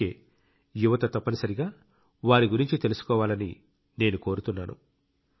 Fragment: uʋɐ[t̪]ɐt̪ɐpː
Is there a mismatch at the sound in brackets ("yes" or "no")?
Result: no